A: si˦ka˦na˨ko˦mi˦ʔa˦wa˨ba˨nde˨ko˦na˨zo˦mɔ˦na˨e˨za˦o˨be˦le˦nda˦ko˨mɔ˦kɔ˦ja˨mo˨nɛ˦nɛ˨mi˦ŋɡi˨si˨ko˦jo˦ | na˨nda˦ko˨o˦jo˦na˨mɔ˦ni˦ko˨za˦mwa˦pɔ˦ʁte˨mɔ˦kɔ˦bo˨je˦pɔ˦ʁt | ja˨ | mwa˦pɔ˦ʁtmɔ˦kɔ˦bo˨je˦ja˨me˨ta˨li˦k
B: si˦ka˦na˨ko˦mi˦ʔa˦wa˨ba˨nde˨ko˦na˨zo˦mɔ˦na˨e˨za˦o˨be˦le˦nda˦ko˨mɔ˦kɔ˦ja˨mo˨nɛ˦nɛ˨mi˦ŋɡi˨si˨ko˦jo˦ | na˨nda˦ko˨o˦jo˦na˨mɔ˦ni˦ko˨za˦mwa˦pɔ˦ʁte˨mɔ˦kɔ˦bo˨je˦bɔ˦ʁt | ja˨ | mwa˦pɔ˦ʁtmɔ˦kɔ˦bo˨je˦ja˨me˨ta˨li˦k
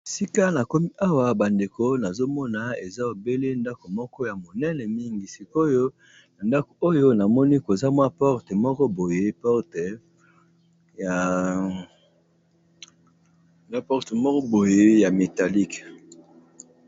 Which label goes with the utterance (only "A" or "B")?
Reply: A